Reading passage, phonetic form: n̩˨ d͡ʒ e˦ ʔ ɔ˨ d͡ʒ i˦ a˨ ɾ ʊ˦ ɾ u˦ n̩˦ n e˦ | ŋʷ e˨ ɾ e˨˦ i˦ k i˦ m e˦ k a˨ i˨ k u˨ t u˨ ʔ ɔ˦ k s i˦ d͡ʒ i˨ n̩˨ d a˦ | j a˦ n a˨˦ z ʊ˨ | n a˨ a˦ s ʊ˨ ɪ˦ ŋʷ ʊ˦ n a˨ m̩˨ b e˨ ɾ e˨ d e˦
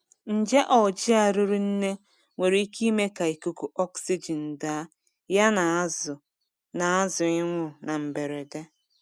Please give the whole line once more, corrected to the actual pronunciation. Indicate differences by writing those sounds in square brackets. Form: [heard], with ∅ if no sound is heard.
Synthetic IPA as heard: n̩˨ d͡ʒ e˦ ʔ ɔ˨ d͡ʒ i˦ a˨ ɾ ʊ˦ ɾ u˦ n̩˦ n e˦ | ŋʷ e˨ ɾ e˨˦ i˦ k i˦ m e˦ k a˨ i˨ k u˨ [k] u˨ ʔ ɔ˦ k s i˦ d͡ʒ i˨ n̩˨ d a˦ | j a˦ n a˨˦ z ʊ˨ | n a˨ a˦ [z] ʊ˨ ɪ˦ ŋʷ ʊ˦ n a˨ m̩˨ b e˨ ɾ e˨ d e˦